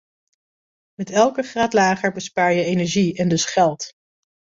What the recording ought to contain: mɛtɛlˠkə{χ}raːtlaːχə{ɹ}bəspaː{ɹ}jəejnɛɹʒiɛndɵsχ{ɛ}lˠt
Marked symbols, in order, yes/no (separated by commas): yes, yes, yes, yes